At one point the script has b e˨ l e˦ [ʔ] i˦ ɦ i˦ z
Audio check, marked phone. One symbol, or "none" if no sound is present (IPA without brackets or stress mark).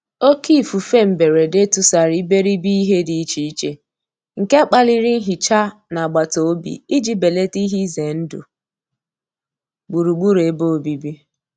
t